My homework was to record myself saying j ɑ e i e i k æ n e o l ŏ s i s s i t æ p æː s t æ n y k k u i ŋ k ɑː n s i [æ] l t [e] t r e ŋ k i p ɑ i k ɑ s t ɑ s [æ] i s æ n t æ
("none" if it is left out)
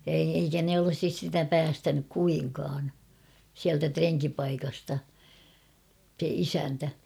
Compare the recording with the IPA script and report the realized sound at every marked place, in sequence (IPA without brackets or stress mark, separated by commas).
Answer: æ, æ, e